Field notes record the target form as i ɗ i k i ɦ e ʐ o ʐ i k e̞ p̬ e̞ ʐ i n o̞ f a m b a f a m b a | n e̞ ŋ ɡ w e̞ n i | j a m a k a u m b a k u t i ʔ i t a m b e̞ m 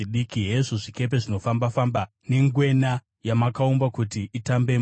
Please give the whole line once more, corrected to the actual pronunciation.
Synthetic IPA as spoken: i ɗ i k i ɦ e ʐ o ʐ i k e̞ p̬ e̞ ʐ i n o̞ f a m b a f a m b a | n e̞ ŋ ɡ w e̞ n a | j a m a k a u m b a k u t i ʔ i t a m b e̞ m